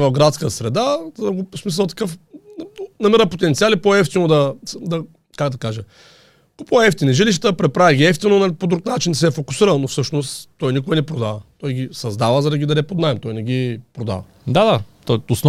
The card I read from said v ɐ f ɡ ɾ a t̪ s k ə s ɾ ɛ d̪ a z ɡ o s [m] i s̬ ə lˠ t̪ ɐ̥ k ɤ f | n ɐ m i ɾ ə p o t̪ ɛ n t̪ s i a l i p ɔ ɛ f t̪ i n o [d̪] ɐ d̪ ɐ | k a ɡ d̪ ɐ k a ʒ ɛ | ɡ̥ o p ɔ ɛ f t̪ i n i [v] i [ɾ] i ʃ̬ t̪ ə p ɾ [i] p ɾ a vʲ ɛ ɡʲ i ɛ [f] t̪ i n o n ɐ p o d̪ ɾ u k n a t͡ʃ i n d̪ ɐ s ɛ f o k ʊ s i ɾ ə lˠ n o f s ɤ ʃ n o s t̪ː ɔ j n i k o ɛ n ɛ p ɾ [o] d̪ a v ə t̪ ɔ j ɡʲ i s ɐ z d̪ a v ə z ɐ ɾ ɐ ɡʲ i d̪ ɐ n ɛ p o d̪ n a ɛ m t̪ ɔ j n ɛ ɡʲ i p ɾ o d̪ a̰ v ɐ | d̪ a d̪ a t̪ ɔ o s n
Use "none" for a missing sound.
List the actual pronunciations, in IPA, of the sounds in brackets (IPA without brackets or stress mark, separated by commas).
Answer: m, d̪, ʒ, l, ɛ, f, o